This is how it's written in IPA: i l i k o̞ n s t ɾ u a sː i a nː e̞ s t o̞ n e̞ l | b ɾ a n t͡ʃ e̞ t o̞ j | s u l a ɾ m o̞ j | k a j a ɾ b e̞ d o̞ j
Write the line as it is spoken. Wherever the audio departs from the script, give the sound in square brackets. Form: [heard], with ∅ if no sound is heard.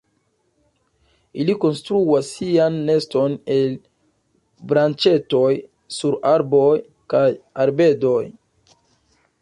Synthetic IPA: i l i k o̞ n s t ɾ u a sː i a nː e̞ s t o̞ n e̞ l | b ɾ a n t͡ʃ e̞ t o̞ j | s u [ɾ] a ɾ [b] o̞ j | k a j a ɾ b e̞ d o̞ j